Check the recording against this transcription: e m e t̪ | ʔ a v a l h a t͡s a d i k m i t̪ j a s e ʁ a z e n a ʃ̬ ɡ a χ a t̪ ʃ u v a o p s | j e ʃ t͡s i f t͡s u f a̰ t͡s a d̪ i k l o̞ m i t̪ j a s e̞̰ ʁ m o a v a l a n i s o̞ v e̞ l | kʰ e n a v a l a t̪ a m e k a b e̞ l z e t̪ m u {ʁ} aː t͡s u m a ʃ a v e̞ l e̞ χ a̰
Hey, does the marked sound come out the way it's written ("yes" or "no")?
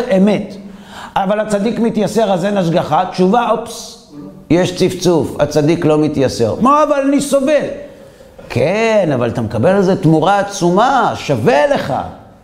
yes